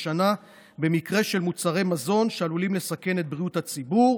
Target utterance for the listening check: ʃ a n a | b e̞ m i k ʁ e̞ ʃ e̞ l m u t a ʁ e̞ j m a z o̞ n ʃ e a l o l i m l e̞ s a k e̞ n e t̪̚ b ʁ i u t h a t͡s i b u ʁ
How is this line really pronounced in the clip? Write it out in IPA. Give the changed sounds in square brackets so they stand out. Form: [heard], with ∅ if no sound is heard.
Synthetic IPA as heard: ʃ a n a | b e̞ m i k ʁ e̞ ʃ e̞ l m u [t͡s] a ʁ e̞ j m a z o̞ n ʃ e a l [u] l i m l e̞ s a k e̞ n e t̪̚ b ʁ i u t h a t͡s i b u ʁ